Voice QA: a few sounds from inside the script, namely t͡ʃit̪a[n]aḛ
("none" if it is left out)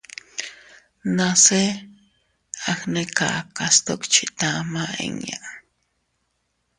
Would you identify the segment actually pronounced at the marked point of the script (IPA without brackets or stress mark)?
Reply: m